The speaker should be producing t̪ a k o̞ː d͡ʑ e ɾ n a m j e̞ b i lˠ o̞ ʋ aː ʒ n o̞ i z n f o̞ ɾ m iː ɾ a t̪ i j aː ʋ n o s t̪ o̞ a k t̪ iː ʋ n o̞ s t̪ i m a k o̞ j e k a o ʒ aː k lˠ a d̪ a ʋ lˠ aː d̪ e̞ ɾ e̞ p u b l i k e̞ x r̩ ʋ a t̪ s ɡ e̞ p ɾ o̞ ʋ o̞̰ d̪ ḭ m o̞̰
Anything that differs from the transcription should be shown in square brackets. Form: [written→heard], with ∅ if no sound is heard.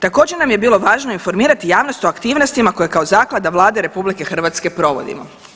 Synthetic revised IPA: t̪ a k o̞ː d͡ʑ e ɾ n a m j e̞ b [i→iː] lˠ o̞ ʋ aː ʒ n o̞ i [z→∅] n f o̞ ɾ m iː ɾ a t̪ i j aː ʋ n o s t̪ o̞ a k t̪ iː ʋ n o̞ s t̪ i m a k o̞ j e k a o [ʒ→z] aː k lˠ a d̪ a ʋ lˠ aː d̪ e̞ ɾ e̞ p u b l i k e̞ x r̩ ʋ a t̪ s [ɡ→k] e̞ p ɾ o̞ ʋ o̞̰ d̪ ḭ m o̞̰